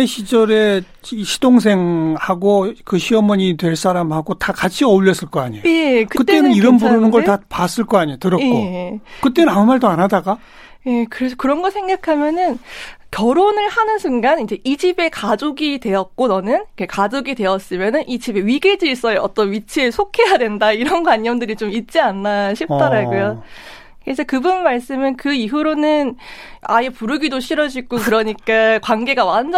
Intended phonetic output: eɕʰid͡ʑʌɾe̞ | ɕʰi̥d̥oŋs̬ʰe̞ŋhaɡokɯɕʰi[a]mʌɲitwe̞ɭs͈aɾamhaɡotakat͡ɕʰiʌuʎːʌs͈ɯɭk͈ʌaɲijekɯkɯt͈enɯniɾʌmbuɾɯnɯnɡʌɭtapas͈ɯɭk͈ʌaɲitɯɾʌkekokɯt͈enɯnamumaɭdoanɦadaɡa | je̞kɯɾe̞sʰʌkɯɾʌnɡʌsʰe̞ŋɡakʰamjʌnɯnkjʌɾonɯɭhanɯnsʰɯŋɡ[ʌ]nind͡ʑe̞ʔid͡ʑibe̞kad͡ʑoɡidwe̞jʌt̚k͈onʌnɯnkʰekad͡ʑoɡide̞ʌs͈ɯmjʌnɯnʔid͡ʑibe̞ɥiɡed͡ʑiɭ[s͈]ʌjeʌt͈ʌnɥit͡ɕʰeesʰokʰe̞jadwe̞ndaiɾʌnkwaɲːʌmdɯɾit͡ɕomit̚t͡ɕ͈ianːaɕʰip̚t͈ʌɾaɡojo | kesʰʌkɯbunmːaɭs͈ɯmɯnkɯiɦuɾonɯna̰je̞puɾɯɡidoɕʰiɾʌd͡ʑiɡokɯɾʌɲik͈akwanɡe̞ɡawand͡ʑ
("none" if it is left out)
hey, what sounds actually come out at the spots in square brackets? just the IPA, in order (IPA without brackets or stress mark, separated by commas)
ʌ, a, s͈